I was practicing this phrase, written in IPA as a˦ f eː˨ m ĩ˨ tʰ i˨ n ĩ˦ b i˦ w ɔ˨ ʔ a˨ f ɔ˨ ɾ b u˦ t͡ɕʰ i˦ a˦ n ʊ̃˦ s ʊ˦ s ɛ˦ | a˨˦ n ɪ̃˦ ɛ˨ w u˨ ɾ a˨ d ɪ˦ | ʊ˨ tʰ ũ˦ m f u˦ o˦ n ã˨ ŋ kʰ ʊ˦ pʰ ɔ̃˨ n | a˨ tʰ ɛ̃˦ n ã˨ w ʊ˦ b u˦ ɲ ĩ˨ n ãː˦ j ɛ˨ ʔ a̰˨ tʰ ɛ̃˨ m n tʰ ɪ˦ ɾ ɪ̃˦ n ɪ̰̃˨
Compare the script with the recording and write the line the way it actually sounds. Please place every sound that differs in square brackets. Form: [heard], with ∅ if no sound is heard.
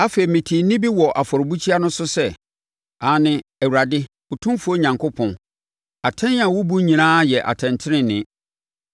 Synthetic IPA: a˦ f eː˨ m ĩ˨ tʰ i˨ n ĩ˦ b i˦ w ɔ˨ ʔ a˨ f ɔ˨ ɾ b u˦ t͡ɕʰ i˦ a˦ n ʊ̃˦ s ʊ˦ s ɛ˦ | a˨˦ n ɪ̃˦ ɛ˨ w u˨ ɾ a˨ d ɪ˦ | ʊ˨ tʰ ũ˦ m f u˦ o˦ [ɲ] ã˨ ŋ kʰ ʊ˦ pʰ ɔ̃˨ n | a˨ tʰ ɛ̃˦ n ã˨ w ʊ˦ b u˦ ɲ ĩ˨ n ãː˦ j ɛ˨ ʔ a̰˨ tʰ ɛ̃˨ [∅] n tʰ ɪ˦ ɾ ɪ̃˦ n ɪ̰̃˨